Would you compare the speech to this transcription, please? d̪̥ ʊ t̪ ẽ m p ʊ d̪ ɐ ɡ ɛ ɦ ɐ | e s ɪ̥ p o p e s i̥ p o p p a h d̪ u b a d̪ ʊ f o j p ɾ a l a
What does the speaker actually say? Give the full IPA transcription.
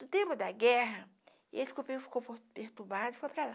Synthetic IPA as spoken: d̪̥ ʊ t̪ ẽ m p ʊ d̪ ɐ ɡ ɛ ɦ ɐ | e s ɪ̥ k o p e f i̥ k o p p e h t̪ u b a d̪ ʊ f o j p ɾ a l a